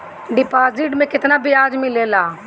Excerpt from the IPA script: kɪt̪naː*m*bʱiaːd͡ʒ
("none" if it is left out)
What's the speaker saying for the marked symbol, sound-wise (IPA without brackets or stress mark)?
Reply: none